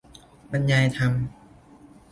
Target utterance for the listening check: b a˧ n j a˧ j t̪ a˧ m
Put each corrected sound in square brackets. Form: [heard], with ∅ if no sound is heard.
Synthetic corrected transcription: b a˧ n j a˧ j [t̪ʰ] a˧ m